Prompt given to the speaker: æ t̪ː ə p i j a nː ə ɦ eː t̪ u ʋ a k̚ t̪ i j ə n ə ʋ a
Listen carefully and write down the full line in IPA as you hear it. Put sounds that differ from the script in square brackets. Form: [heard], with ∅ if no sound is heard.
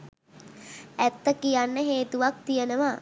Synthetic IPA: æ t̪ː ə [k] i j a nː ə ɦ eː t̪ u ʋ a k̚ t̪ i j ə n ə ʋ a